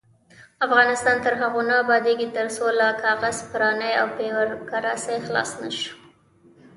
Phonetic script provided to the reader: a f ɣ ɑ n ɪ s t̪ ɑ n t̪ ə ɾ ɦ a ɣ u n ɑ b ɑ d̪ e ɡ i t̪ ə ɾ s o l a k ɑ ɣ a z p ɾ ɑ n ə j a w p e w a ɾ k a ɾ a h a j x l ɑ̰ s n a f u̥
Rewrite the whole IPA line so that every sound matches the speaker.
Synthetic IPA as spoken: a f ɣ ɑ n ɪ s t̪ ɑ n t̪ ə ɾ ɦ a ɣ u n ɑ b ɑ d̪ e ɡ i t̪ ə ɾ s o l a k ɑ ɣ a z p ɾ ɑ n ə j a w p e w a ɾ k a ɾ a s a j x l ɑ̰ s n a ʃ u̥